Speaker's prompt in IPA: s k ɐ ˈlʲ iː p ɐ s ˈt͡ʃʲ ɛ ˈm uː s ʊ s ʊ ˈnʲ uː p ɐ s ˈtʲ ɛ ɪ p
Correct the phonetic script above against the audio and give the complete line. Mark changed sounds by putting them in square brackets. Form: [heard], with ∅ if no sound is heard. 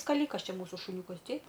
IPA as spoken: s k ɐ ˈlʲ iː [k] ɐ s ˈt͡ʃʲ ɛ ˈm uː s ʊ [ʃ] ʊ ˈnʲ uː [k] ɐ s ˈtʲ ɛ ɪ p